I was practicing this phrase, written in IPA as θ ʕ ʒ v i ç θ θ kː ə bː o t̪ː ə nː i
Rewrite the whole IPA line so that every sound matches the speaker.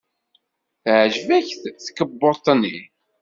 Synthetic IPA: θ ʕ ʒ v æ ç θ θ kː ə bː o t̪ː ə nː i